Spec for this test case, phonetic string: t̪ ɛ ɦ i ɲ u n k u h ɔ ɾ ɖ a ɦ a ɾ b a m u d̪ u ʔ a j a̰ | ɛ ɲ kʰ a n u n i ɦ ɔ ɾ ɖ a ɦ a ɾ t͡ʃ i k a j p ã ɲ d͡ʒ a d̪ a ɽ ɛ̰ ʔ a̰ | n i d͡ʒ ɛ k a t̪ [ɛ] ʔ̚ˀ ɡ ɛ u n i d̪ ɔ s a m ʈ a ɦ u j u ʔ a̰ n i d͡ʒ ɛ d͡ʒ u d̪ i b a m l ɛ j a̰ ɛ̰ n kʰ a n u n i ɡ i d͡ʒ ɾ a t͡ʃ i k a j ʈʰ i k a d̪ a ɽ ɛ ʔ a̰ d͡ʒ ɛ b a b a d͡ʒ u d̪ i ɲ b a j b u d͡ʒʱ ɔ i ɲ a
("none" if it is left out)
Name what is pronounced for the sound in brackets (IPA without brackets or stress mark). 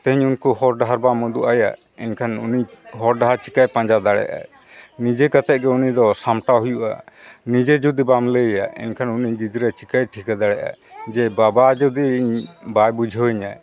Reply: ɛ